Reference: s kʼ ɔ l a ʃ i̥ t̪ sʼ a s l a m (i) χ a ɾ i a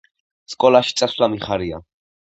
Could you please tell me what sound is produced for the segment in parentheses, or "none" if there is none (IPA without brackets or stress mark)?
i